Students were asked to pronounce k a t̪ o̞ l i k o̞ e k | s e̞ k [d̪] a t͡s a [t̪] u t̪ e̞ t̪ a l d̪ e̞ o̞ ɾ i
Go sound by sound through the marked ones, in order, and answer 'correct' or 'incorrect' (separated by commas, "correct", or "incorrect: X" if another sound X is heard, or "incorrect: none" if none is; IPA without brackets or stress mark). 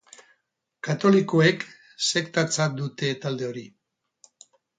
incorrect: t̪, incorrect: d̪